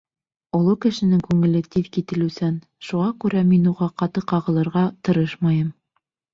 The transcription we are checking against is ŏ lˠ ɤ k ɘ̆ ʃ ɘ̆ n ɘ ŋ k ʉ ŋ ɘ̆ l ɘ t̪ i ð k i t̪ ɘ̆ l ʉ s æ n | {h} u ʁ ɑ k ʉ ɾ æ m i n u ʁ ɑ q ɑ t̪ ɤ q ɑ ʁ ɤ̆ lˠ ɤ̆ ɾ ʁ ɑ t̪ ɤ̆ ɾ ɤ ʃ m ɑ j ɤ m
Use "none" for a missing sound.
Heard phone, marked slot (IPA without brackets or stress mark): ʃ